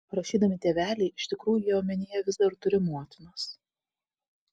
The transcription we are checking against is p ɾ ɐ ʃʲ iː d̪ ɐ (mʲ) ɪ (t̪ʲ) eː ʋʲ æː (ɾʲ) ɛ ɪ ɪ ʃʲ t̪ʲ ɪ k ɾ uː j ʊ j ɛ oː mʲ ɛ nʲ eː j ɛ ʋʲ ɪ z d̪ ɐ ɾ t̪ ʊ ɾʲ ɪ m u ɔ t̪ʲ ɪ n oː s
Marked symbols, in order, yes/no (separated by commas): yes, yes, no